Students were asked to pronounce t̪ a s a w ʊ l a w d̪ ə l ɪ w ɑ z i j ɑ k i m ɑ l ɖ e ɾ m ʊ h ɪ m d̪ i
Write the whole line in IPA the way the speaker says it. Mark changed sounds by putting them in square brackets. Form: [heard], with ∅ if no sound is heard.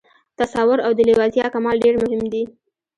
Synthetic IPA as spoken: t̪ a s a w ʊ [ɾ] a w d̪ ə l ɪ w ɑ z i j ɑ k [a] m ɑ l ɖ e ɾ m ʊ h ɪ m d̪ i